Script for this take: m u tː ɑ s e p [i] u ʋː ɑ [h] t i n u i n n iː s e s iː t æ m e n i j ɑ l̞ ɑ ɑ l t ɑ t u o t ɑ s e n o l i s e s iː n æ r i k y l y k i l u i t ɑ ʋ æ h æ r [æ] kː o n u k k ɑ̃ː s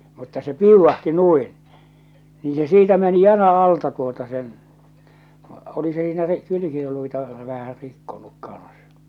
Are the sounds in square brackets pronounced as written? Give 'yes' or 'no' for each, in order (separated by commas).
yes, yes, no